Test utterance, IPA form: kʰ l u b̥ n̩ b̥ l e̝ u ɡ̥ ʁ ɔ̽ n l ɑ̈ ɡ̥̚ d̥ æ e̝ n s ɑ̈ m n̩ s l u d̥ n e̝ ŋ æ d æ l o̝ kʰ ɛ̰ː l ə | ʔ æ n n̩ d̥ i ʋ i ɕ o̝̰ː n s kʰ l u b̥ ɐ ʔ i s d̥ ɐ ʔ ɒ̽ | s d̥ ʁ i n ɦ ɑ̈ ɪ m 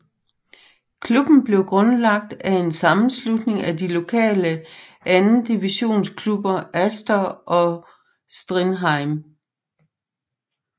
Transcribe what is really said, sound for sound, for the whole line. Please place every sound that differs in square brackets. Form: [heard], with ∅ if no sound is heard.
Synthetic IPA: kʰ l u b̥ n̩ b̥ l e̝ [ʊ] ɡ̥ ʁ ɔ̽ n l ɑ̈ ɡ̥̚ d̥ æ e̝ n s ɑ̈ m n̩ s l u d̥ n e̝ ŋ æ d [i] l o̝ kʰ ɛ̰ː l ə | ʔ æ n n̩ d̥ i ʋ i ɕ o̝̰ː n s kʰ l u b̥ ɐ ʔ [æ] s d̥ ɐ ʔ ɒ̽ | s d̥ ʁ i n ɦ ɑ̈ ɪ m